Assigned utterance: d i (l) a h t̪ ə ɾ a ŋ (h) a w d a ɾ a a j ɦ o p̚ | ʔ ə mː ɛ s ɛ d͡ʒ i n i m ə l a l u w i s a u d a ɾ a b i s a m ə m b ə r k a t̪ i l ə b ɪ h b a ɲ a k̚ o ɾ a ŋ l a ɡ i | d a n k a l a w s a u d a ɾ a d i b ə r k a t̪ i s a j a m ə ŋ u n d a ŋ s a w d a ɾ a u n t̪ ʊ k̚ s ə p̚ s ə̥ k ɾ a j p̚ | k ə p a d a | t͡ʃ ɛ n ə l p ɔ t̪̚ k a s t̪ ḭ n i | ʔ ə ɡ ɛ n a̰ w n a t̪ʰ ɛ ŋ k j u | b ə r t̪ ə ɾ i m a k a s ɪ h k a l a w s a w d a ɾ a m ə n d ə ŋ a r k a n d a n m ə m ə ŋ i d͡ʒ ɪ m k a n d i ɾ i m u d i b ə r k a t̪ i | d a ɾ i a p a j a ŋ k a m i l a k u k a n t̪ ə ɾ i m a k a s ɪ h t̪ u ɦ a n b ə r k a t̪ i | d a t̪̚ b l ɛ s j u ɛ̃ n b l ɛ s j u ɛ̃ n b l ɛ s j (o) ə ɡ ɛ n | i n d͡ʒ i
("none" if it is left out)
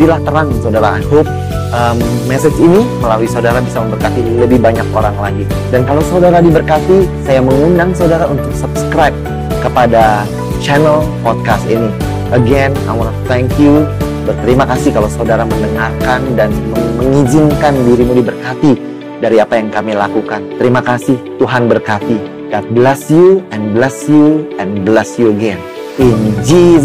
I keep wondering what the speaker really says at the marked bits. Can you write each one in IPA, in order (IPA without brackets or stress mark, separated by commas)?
l, s, u